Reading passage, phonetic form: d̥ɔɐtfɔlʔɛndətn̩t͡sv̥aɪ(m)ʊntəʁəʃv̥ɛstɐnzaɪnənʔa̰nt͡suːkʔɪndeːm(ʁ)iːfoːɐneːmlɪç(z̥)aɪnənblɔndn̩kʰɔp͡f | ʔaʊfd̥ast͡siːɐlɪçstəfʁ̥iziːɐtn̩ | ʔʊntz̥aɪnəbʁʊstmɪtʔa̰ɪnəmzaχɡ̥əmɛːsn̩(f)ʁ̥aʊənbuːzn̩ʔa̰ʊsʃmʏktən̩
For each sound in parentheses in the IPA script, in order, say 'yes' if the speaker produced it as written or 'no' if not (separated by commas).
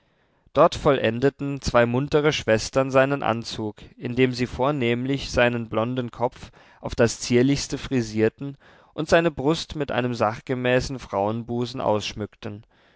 yes, no, yes, yes